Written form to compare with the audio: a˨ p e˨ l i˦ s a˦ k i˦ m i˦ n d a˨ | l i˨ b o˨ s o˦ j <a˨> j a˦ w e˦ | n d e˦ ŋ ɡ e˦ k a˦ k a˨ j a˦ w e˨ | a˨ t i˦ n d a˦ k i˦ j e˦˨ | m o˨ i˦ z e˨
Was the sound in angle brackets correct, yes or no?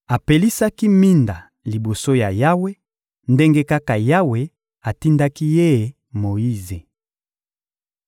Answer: yes